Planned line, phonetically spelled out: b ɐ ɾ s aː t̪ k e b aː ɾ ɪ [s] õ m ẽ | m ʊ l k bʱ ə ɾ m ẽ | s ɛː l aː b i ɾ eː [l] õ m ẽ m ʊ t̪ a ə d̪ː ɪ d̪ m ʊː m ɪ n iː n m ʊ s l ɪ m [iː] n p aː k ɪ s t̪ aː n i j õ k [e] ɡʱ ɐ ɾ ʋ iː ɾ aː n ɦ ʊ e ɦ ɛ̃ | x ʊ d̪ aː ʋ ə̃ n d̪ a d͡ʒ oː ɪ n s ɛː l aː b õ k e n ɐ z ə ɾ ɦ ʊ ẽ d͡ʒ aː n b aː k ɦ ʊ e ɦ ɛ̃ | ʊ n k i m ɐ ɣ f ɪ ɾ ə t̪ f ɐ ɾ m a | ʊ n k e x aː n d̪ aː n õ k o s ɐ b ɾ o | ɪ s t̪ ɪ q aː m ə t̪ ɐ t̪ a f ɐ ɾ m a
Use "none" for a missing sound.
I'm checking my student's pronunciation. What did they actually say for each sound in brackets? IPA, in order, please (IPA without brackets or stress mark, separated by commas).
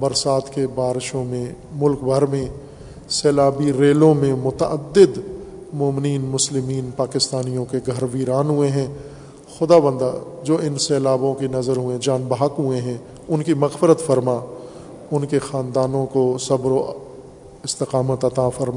ʃ, l, iː, e